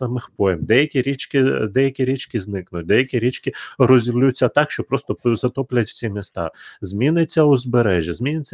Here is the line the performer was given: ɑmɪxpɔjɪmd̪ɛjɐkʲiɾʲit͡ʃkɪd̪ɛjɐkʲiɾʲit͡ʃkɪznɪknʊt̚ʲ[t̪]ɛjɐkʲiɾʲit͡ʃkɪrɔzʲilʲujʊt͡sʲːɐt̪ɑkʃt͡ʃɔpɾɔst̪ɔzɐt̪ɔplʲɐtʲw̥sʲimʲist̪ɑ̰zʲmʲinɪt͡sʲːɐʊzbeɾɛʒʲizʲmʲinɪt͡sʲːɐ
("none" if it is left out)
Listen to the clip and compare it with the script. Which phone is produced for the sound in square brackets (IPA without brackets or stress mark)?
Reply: d̪